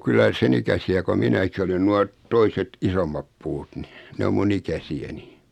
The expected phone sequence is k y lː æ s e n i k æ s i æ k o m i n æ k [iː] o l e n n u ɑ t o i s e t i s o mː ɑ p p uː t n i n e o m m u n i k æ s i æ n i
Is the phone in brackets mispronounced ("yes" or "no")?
yes